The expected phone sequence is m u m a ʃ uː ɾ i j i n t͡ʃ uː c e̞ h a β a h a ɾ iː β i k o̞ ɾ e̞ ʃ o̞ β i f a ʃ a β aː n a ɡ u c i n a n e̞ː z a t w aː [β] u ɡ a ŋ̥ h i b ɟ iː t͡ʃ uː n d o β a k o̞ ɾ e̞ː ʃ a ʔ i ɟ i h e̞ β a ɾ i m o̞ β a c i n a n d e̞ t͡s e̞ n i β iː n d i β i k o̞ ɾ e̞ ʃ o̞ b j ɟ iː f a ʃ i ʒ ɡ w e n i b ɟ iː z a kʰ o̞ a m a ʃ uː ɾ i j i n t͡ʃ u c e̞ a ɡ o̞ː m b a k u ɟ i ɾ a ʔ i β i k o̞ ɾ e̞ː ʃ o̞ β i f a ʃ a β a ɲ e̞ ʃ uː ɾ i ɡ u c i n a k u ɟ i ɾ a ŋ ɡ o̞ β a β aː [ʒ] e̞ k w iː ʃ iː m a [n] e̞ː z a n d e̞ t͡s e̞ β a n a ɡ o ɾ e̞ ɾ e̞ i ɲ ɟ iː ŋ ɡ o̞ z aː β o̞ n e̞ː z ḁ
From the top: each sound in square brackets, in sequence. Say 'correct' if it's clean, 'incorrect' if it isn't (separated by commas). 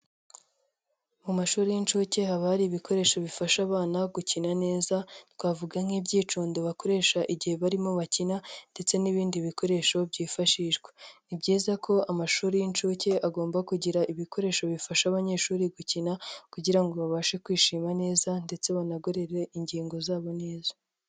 incorrect, incorrect, correct